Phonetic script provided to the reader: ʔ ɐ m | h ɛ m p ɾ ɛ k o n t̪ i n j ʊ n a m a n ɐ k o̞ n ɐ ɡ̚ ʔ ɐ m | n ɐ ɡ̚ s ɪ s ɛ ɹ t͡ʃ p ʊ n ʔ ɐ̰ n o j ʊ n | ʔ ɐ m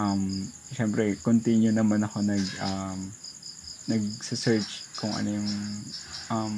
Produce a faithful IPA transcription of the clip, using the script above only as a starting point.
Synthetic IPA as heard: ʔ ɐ m | ʃ ɛ m p ɾ ɛ k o n t̪ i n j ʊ n ɐ m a n ɐ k o̞ n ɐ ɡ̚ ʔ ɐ m | n ɐ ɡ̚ s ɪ s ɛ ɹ t͡ʃ k ʊ ŋ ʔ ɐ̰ n o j ʊ ŋ | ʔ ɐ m